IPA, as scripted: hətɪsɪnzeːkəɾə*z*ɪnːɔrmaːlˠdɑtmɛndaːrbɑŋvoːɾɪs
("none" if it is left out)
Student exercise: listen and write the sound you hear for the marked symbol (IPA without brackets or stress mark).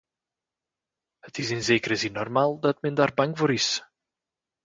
z